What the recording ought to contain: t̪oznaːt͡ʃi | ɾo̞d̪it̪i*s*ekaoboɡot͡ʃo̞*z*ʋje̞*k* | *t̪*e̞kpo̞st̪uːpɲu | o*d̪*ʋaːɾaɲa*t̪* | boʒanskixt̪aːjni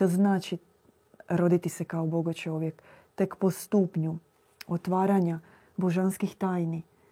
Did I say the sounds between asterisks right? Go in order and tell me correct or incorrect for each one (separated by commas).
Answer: correct, incorrect, correct, correct, incorrect, incorrect